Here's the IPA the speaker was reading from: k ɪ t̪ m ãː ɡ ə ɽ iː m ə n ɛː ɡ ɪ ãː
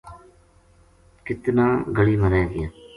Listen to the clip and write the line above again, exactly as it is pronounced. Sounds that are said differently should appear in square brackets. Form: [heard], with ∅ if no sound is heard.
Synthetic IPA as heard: k ɪ t̪ [n] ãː ɡ ə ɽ iː m ə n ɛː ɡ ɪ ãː